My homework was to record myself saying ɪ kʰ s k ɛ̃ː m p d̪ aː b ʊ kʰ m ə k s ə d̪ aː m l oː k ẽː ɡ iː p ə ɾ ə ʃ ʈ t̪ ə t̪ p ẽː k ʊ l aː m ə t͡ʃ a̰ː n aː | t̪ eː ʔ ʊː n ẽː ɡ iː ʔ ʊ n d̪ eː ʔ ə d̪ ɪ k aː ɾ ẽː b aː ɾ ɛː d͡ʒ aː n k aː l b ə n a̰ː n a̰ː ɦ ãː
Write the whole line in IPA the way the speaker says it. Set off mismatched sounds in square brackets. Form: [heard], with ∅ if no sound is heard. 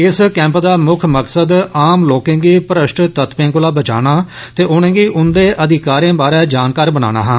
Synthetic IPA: ɪ [∅] s k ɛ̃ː m p d̪ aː [m] ʊ kʰ m ə k s ə d̪ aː m l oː k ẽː ɡ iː p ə ɾ ə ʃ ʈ t̪ ə t̪ p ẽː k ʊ l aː [b] ə t͡ʃ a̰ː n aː | t̪ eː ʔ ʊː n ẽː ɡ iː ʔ ʊ n d̪ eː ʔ ə d̪ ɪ k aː ɾ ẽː b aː ɾ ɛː d͡ʒ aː n k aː [ɾ] b ə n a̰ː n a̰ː ɦ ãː